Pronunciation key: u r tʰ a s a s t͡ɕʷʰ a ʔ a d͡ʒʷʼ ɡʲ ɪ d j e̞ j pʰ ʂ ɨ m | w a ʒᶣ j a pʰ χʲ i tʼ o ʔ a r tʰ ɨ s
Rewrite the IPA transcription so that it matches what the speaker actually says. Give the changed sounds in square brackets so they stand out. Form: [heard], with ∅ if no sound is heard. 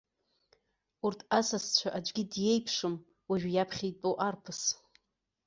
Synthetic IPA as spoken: u r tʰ a s a s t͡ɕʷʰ a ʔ a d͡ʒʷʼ ɡʲ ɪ d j e̞ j pʰ ʂ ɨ m | w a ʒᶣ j a pʰ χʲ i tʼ o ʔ a r [pʰ] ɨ s